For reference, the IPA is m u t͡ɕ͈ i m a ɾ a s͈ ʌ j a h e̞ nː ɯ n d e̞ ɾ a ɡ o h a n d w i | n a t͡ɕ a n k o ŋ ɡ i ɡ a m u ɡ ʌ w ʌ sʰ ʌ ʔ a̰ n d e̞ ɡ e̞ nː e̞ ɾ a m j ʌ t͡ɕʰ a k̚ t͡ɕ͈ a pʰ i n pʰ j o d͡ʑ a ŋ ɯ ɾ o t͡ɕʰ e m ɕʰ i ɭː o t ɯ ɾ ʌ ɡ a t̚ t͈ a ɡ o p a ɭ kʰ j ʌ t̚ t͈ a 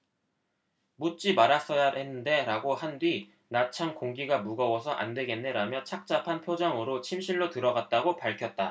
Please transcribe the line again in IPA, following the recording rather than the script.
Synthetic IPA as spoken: m u t͡ɕ͈ i m a ɾ a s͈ ʌ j a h e̞ nː ɯ n d e̞ ɾ a ɡ o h a n d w i | n a t͡ɕʰ a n k o ŋ ɡ i ɡ a m u ɡ ʌ w ʌ sʰ ʌ ʔ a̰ n d e̞ ɡ e̞ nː e̞ ɾ a m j ʌ t͡ɕʰ a k̚ t͡ɕ͈ a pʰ a n pʰ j o d͡ʑ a ŋ ɯ ɾ o t͡ɕʰ i m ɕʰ i ɭː o t ɯ ɾ ʌ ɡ a t̚ t͈ a ɡ o p a ɭ kʰ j ʌ t̚ t͈ a